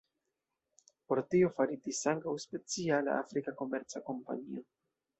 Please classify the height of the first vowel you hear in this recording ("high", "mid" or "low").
mid